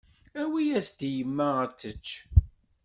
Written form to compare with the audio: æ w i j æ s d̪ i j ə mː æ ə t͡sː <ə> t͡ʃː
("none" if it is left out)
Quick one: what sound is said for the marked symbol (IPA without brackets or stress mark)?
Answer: ə